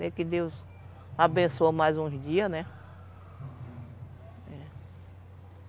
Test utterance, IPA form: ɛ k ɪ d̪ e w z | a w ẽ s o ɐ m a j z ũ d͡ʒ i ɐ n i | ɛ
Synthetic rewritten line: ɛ k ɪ d̪ e w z | a b ẽ s o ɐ m a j z ũ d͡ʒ i ɐ n ɛ | ɛ